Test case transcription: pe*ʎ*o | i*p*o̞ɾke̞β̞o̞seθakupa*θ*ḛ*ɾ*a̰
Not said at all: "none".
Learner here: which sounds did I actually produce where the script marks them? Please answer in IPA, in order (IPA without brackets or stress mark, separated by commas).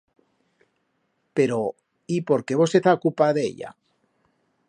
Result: ɾ, p, ð, ʎ